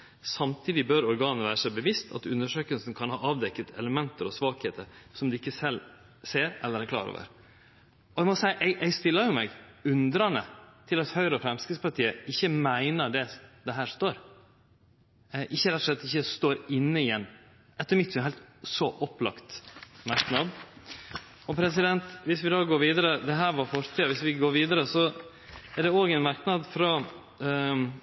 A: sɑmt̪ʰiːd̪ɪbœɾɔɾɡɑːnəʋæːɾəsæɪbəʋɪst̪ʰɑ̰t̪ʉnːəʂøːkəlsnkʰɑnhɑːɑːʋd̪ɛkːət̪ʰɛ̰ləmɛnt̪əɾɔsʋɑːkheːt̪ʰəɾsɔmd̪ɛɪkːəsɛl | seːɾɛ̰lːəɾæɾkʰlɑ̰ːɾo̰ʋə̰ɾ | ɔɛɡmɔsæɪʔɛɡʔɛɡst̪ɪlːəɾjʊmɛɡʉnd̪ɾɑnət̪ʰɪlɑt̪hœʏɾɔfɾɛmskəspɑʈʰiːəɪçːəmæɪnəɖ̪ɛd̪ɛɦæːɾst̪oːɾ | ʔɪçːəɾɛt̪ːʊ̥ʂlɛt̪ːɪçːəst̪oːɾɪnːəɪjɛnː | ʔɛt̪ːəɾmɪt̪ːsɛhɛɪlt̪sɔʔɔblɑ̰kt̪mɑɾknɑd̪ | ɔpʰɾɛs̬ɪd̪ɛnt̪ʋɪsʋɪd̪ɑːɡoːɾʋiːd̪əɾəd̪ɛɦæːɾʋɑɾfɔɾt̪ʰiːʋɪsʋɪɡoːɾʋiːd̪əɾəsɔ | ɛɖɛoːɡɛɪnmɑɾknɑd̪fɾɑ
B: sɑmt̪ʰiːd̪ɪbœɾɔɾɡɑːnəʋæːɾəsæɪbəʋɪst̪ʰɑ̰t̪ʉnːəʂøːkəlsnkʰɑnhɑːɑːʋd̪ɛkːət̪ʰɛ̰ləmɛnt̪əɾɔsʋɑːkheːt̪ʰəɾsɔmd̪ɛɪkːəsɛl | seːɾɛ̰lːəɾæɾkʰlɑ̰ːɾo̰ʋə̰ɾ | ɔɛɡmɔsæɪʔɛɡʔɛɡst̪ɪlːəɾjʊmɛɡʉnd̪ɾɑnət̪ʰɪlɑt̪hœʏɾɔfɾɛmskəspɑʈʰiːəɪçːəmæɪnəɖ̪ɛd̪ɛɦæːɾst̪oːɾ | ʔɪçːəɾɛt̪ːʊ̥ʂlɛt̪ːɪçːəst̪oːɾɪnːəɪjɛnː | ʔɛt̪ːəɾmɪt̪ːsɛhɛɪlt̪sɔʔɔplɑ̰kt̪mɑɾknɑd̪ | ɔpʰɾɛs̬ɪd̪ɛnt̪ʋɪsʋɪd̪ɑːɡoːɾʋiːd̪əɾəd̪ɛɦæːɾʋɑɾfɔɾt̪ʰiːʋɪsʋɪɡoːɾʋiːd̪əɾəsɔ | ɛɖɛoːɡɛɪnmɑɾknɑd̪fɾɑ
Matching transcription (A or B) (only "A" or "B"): B